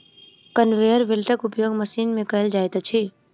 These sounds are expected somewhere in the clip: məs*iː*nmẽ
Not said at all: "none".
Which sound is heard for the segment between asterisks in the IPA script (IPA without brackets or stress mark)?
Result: iː